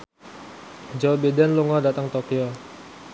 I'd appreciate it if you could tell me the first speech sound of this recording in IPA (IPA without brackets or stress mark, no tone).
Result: d͡ʒ